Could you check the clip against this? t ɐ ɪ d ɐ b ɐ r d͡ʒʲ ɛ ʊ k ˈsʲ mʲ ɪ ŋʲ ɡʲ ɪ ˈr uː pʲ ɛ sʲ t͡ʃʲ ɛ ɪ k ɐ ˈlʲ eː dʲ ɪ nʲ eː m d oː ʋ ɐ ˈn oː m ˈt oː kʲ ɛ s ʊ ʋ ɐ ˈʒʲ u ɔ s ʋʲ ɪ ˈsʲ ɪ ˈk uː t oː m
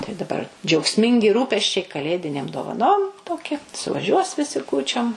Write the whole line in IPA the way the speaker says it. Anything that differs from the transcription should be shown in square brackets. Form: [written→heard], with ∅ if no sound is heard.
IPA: t ɐ ɪ d ɐ b ɐ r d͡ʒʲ ɛ ʊ k ˈsʲ mʲ ɪ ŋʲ ɡʲ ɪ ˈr uː pʲ ɛ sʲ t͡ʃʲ ɛ ɪ k ɐ ˈlʲ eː dʲ ɪ nʲ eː m d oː ʋ ɐ ˈn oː m ˈt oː kʲ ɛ s ʊ ʋ ɐ ˈʒʲ u ɔ s ʋʲ ɪ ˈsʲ ɪ ˈk uː [t→t͡ʃʲ] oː m